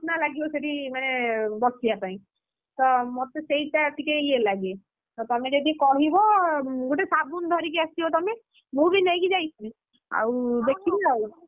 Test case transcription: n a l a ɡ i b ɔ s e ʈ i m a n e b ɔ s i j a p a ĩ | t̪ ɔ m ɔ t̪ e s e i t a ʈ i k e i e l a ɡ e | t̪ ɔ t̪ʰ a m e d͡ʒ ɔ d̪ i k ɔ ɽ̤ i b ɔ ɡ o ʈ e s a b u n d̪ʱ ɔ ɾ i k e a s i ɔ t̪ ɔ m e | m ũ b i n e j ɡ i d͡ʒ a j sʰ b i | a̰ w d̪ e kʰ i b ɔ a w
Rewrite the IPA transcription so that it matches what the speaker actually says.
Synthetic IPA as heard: n a l a ɡ i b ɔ s e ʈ i m a n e b ɔ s i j a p a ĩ | t̪ ɔ m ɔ t̪ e s e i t a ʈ i k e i e l a ɡ e | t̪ ɔ t̪ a m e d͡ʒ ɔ d̪ i k ɔ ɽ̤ i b ɔ ɡ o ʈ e s a b u n d̪ʱ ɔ ɾ i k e a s i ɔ t̪ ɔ m e | m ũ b i n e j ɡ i d͡ʒ a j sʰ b i | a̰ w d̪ e kʰ i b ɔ a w